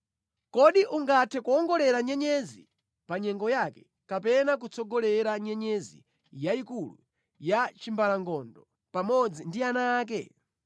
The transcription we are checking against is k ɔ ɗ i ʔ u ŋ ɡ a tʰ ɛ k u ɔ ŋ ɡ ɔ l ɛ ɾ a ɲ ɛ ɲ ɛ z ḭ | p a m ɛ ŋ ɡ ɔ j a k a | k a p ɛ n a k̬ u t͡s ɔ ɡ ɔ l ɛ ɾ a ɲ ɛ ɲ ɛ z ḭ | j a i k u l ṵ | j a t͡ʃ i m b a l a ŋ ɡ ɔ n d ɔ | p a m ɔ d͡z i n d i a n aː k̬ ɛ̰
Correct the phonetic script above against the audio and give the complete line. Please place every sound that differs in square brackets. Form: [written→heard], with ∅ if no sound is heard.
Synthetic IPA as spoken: k ɔ ɗ i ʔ u ŋ ɡ a tʰ ɛ k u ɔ ŋ ɡ ɔ l ɛ ɾ a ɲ ɛ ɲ ɛ z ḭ | p a [m→ɲ] ɛ ŋ ɡ ɔ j a k [a→ɛ] | k a p ɛ n a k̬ u t͡s ɔ ɡ ɔ l ɛ ɾ a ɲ ɛ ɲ ɛ z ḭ | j a i k u l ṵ | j a t͡ʃ i m b a l a ŋ ɡ ɔ n d ɔ | p a m ɔ d͡z i n d i a n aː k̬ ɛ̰